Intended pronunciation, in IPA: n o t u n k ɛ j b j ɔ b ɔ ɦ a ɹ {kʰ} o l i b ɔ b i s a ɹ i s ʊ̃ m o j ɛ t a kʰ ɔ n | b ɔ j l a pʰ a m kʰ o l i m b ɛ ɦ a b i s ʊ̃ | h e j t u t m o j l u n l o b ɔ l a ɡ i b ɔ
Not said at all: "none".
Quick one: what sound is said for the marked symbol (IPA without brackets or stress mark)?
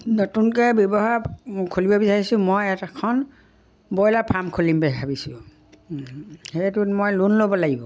kʰ